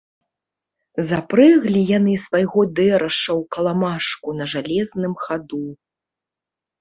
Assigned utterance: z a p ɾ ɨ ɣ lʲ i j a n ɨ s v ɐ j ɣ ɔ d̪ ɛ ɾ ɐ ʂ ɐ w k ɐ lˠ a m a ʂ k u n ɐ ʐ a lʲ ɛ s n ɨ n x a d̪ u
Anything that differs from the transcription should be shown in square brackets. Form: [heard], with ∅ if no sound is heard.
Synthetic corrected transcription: z a p ɾ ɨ ɣ lʲ i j a n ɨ s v [a] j ɣ ɔ d̪ ɛ ɾ ɐ ʂ ɐ w k ɐ lˠ a m a ʂ k u n ɐ ʐ a lʲ ɛ [z] n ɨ [m] x a d̪ u

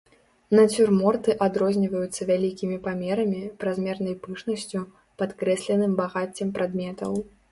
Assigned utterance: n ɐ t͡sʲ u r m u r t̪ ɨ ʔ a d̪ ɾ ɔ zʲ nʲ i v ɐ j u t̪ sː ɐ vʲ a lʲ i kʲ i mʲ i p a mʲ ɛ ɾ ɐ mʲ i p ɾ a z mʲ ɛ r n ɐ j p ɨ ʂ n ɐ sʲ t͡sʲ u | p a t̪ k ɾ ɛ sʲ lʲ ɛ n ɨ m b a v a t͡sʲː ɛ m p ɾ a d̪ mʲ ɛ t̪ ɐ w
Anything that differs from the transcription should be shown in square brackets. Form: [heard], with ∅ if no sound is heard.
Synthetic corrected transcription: n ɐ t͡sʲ u r m [ɔ] r t̪ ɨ ʔ a d̪ ɾ ɔ zʲ nʲ i v ɐ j u t̪ sː ɐ vʲ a lʲ i kʲ i mʲ i p a mʲ ɛ ɾ ɐ mʲ i p ɾ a z mʲ ɛ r n ɐ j p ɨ ʂ n ɐ sʲ t͡sʲ u | p a t̪ k ɾ ɛ sʲ lʲ ɛ n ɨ m b a [ɣ] a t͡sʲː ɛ m p ɾ a d̪ mʲ ɛ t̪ ɐ w

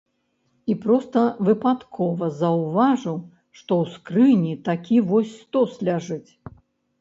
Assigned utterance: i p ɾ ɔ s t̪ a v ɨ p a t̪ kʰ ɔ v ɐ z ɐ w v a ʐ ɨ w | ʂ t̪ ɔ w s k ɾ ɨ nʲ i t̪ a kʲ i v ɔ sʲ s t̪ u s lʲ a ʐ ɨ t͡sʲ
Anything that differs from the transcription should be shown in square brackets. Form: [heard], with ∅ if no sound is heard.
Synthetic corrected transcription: i p ɾ ɔ s t̪ [ɐ] v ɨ p a t̪ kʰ ɔ v ɐ z ɐ w v a ʐ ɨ w | ʂ t̪ ɔ w s k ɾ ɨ nʲ i t̪ a kʲ i v ɔ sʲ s t̪ [ɔ] s lʲ a ʐ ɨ t͡sʲ

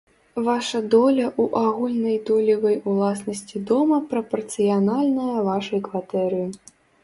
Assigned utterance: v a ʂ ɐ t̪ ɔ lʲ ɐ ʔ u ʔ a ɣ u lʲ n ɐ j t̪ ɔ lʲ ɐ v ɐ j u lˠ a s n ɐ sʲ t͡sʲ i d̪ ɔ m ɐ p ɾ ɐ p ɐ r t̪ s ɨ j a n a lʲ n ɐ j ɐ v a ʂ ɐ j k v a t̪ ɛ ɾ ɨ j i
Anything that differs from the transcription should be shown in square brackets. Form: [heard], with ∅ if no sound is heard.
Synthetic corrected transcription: v a ʂ ɐ [d̪] ɔ lʲ ɐ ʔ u ʔ a ɣ u lʲ n ɐ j [d̪] ɔ lʲ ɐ v ɐ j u lˠ a s n ɐ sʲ t͡sʲ i d̪ ɔ m ɐ p ɾ ɐ p ɐ r t̪ s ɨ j a n a lʲ n ɐ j ɐ v a ʂ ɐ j k v a t̪ ɛ ɾ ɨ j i

